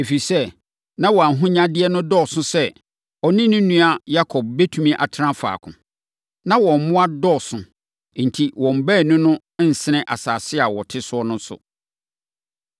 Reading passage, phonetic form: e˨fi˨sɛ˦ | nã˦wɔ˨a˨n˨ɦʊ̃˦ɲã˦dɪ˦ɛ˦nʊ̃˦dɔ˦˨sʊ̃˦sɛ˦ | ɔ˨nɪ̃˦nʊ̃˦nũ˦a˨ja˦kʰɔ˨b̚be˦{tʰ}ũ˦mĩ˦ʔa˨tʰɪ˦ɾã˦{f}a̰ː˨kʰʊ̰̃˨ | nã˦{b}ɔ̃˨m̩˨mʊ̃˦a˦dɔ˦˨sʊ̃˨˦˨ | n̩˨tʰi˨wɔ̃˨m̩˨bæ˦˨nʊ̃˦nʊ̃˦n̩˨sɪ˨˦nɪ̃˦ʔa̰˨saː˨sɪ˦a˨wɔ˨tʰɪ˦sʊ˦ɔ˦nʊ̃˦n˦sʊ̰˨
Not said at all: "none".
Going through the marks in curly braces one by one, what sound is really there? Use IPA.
tʰ, f, w

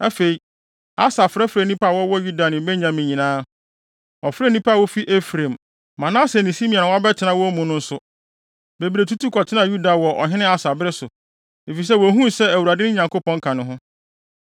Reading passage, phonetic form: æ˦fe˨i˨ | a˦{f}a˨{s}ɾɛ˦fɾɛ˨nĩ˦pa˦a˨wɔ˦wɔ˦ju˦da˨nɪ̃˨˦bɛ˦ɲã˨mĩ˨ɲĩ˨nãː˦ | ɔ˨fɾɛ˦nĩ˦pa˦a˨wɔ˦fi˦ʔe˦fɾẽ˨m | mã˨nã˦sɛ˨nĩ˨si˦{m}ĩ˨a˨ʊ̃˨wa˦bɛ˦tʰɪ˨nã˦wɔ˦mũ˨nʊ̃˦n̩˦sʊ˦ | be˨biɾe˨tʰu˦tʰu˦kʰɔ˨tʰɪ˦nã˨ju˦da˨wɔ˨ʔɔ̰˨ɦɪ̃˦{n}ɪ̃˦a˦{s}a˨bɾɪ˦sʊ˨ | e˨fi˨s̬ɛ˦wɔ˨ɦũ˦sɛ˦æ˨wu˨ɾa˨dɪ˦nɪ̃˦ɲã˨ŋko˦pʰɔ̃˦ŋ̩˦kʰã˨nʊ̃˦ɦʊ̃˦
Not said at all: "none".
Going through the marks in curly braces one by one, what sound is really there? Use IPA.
s, f, m, n, s

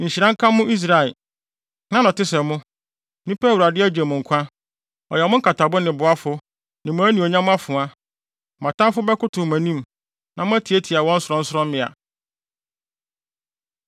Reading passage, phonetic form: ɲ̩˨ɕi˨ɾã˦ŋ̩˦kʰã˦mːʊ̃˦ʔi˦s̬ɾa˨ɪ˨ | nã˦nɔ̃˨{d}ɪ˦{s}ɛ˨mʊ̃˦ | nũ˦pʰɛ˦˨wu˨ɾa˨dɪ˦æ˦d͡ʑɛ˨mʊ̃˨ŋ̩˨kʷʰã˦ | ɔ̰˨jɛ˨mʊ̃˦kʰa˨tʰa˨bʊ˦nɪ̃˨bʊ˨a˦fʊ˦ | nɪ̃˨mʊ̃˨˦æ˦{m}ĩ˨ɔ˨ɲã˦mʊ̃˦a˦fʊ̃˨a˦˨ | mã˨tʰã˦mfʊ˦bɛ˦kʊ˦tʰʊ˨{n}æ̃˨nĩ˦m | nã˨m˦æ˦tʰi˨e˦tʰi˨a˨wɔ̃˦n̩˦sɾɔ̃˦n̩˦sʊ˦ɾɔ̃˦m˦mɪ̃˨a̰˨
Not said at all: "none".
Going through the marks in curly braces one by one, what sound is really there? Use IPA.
t, s, n, m

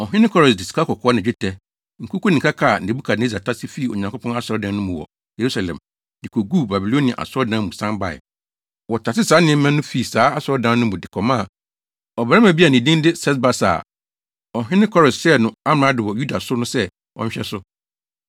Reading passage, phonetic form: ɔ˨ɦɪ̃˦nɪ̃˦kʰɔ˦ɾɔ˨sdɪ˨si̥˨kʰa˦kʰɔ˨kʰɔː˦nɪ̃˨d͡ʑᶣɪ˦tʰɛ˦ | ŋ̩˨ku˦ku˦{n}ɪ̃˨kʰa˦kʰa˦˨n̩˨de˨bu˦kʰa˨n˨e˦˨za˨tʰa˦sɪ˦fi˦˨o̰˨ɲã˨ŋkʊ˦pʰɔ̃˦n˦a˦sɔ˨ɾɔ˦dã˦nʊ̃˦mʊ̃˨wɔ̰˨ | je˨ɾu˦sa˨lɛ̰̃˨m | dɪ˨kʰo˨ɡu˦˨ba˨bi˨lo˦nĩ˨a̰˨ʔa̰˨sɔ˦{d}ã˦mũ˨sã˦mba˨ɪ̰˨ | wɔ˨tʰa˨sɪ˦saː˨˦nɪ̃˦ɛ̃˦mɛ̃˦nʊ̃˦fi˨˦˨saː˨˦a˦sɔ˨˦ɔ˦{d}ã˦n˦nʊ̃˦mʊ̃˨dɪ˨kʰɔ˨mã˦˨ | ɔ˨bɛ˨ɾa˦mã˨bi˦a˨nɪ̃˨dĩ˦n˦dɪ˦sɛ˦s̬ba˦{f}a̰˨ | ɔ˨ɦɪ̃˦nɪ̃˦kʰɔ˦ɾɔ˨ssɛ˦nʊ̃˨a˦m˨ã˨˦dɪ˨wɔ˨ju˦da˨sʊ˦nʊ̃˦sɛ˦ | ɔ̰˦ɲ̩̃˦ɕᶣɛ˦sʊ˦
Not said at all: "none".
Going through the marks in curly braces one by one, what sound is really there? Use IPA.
n, d, d, s

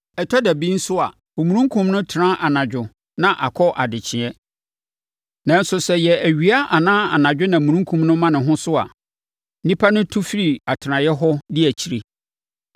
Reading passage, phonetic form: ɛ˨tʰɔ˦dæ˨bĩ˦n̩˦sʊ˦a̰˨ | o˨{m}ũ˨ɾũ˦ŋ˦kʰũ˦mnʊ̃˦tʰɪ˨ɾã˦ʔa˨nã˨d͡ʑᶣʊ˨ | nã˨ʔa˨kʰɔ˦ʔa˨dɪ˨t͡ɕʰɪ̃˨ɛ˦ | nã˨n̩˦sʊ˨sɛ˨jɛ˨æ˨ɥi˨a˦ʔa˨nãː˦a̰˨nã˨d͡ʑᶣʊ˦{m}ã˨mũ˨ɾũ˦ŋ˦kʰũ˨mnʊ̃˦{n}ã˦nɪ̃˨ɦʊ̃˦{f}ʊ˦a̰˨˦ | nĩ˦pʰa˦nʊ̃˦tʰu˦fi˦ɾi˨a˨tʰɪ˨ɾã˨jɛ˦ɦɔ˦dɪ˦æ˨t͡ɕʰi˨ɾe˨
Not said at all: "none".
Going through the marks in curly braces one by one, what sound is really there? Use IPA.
m, n, m, s

